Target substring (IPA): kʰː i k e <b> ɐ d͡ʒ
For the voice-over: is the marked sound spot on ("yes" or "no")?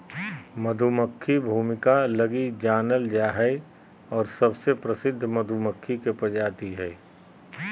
no